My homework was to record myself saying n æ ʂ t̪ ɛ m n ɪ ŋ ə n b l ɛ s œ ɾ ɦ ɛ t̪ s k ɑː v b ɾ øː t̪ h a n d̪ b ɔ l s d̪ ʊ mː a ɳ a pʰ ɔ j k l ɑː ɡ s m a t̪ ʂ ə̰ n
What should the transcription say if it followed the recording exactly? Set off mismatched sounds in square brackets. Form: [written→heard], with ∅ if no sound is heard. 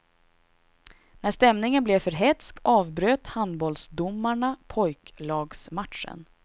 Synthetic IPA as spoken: n æ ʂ t̪ ɛ m n ɪ ŋ ə n b l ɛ [s→f] œ ɾ ɦ ɛ t̪ s k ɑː v b ɾ øː t̪ h a n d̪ b ɔ l s d̪ ʊ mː a ɳ a pʰ ɔ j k l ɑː ɡ s m a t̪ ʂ ə̰ n